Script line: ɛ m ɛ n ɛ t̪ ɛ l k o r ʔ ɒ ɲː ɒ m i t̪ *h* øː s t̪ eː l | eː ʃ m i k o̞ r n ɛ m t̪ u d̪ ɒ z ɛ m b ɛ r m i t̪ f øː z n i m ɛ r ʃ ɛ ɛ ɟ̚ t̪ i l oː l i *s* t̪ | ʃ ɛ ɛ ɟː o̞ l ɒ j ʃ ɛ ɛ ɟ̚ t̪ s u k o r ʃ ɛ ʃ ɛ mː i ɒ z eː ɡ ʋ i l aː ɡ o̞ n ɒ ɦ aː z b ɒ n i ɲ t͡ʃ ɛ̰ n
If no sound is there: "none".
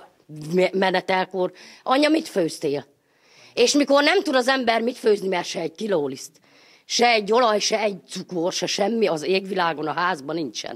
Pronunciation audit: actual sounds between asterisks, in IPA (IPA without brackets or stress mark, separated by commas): f, s